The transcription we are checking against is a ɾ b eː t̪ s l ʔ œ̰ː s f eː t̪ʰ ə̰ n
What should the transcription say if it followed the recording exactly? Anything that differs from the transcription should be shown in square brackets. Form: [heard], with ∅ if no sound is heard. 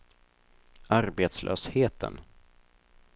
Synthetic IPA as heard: a ɾ b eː t̪ s l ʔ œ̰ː s [h] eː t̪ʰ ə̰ n